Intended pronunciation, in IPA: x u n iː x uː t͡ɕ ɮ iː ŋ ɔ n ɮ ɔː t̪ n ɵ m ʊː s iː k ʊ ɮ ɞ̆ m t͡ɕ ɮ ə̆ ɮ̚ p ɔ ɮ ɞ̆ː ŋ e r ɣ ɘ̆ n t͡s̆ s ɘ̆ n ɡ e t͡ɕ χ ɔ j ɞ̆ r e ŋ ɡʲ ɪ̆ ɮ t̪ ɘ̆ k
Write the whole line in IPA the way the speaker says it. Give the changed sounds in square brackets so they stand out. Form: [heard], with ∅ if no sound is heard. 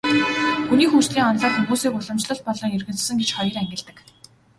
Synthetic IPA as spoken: x u n iː x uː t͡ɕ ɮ iː ŋ ɔ n ɮ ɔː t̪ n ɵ m [uː] s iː k ʊ ɮ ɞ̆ m t͡ɕ ɮ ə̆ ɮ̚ p ɔ ɮ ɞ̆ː ŋ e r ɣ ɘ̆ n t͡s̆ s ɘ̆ [ŋ] ɡ e t͡ɕ χ ɔ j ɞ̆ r [æ] ŋ ɡʲ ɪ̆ ɮ t̪ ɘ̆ k